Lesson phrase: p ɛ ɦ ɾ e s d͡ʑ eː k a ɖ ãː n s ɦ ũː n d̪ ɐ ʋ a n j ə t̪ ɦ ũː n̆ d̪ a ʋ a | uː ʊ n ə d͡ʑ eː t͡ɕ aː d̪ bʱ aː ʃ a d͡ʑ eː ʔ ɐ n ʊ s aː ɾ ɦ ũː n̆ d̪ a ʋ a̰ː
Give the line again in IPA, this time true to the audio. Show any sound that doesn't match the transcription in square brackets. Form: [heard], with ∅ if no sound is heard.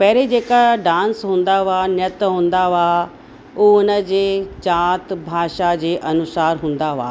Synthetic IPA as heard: p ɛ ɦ ɾ e [∅] d͡ʑ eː k a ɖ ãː n s ɦ ũː n d̪ [a] ʋ a n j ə t̪ ɦ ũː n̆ d̪ a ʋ a | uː ʊ n ə d͡ʑ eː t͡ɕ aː [t̪] bʱ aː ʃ a d͡ʑ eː ʔ ɐ n ʊ s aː ɾ ɦ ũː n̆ d̪ a ʋ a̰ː